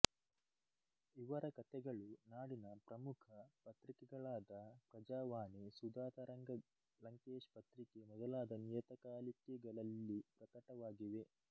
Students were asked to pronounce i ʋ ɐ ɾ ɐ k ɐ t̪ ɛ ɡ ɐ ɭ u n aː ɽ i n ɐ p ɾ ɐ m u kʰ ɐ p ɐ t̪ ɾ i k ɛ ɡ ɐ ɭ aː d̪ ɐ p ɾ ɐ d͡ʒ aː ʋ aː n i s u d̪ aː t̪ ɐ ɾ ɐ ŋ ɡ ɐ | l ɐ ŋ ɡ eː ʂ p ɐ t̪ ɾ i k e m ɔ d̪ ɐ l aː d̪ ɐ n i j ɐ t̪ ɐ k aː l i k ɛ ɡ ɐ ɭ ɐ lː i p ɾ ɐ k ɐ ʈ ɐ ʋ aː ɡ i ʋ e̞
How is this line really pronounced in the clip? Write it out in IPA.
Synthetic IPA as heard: i ʋ ɐ ɾ ɐ k ɐ t̪ ɛ ɡ ɐ ɭ u n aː ɽ i n ɐ p ɾ ɐ m u kʰ ɐ p ɐ t̪ ɾ i k ɛ ɡ ɐ ɭ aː d̪ ɐ p ɾ ɐ d͡ʒ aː ʋ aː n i s u d̪ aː t̪ ɐ ɾ ɐ ŋ ɡ ɐ | l ɐ ŋ k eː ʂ p ɐ t̪ ɾ i k e m ɔ d̪ ɐ l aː d̪ ɐ n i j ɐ t̪ ɐ k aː l i k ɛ ɡ ɐ ɭ ɐ lː i p ɾ ɐ k ɐ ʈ ɐ ʋ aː ɡ i ʋ e̞